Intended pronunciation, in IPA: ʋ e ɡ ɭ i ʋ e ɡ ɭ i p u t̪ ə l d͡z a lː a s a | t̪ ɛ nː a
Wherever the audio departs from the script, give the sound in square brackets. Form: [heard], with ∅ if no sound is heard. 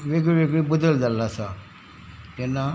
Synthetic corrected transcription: ʋ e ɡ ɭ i ʋ e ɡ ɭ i [b] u [d̪] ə l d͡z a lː a s a | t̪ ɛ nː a